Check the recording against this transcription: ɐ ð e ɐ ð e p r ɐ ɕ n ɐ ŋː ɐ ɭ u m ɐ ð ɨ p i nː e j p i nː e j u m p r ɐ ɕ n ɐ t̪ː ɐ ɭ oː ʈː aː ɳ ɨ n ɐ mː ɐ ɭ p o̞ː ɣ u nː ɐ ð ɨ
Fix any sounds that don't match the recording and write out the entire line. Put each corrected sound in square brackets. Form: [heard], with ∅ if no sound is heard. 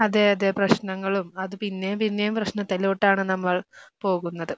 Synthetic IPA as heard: ɐ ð e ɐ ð e p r ɐ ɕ n ɐ ŋː ɐ ɭ u m ɐ ð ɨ p i nː e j p i nː e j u m p r ɐ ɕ n ɐ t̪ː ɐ [l] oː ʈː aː ɳ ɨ n ɐ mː ɐ ɭ p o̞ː ɣ u nː ɐ ð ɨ